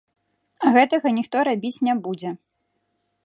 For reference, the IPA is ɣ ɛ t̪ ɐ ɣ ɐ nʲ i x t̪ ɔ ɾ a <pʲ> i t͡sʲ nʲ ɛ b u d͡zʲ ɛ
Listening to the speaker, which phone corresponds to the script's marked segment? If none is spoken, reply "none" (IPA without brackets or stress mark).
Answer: bʲ